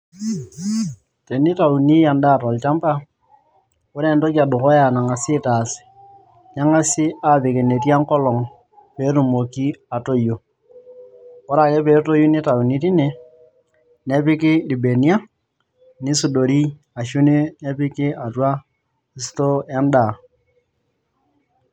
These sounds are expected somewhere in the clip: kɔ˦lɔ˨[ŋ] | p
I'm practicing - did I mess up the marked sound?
no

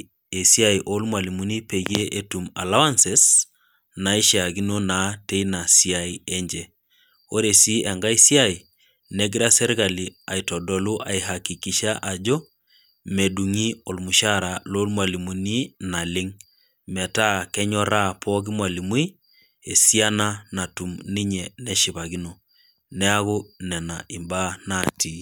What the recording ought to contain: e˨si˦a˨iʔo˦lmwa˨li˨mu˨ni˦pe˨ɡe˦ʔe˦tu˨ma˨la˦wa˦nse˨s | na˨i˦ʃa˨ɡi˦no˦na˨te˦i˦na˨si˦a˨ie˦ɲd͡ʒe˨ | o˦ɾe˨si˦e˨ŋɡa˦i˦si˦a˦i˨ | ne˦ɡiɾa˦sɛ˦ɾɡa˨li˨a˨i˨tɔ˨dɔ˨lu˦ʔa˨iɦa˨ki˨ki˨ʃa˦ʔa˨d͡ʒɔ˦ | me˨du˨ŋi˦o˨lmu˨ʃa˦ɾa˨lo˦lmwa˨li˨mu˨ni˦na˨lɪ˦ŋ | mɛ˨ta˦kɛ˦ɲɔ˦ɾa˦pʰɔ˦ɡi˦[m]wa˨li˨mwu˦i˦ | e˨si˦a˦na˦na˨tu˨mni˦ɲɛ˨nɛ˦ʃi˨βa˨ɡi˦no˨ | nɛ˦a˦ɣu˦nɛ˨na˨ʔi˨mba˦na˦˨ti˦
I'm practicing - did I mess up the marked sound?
no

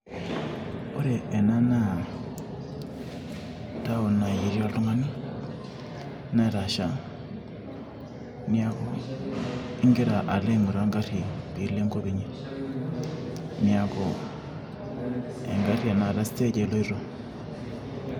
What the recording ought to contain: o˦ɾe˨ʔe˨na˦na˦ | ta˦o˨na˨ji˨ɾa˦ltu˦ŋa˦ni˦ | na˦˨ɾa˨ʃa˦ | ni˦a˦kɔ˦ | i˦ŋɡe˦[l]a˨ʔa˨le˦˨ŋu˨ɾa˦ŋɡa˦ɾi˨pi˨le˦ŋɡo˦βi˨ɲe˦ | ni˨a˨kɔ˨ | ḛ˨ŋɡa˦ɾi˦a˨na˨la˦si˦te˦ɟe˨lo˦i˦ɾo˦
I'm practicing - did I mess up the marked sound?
yes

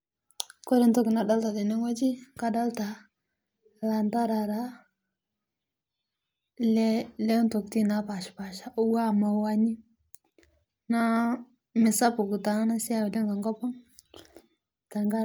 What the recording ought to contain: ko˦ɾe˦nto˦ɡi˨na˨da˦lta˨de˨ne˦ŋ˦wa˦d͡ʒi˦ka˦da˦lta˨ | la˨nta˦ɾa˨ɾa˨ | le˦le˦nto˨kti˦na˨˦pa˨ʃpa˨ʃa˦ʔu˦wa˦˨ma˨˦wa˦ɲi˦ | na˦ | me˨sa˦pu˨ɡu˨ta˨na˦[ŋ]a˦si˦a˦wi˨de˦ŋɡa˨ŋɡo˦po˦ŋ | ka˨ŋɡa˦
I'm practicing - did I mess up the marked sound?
yes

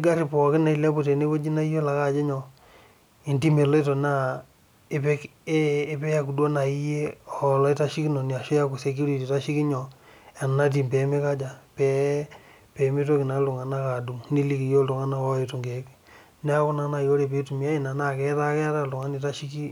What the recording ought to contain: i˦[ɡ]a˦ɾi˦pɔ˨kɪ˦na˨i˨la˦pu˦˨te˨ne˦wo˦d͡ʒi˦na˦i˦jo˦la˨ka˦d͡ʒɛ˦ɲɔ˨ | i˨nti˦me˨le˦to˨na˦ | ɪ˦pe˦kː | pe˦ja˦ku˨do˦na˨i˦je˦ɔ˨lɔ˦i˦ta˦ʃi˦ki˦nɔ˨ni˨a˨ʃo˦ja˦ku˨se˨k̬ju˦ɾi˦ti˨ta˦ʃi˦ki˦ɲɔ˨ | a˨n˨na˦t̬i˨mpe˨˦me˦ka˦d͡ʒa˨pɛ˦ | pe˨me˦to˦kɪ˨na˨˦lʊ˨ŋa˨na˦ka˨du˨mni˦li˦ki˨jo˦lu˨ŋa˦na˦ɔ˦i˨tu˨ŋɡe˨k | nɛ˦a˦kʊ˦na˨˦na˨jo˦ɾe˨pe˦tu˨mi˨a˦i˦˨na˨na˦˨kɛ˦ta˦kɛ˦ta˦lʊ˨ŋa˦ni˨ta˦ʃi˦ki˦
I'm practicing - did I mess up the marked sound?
no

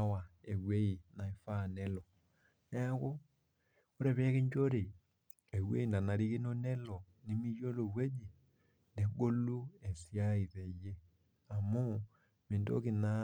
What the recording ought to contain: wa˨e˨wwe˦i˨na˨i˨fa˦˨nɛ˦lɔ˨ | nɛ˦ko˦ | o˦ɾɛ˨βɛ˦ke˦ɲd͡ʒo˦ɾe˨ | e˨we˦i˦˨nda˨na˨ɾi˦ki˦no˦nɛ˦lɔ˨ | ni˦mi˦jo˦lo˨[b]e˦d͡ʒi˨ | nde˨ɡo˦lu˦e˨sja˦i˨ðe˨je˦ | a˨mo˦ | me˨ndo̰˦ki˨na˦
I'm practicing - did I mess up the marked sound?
yes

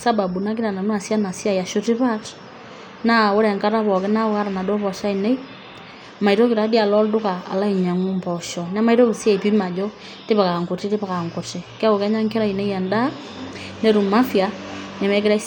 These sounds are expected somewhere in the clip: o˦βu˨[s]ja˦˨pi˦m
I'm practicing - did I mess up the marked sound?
no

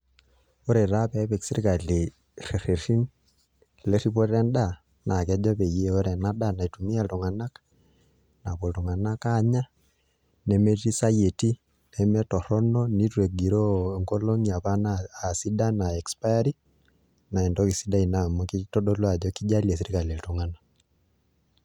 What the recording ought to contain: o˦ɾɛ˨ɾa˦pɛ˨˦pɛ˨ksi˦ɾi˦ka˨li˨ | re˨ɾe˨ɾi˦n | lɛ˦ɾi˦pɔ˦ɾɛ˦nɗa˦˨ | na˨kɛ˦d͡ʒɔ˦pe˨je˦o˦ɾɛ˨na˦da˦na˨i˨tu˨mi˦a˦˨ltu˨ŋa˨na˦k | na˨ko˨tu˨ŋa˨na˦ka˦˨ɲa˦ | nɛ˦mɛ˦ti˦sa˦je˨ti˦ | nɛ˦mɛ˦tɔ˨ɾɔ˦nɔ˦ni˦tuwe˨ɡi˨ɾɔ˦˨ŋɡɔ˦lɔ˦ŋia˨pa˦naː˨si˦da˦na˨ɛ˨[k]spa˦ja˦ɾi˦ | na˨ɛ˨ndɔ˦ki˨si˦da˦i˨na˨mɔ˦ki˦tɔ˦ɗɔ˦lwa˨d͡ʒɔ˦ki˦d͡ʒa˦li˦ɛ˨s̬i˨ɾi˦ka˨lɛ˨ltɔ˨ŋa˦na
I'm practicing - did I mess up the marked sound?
no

